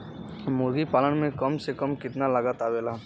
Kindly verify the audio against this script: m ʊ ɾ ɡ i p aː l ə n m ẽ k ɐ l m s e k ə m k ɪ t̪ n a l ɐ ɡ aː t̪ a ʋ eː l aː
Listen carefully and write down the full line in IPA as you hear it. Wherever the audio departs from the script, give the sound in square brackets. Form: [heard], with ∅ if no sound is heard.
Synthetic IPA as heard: m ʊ ɾ ɡ i p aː l ə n m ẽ k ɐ [∅] m s e k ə m k ɪ t̪ n a l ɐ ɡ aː t̪ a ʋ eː l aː